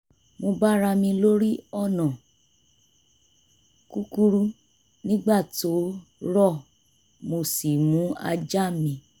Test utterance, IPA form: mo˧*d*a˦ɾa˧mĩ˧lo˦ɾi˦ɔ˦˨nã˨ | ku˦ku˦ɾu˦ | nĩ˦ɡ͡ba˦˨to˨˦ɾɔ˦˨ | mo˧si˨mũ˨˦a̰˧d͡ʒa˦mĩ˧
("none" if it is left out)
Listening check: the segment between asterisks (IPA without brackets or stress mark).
b